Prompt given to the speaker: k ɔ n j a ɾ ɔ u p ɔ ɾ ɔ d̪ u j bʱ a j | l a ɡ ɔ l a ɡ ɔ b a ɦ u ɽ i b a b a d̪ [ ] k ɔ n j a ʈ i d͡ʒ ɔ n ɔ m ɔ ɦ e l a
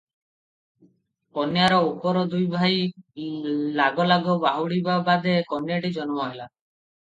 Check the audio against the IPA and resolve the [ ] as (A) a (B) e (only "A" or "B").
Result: B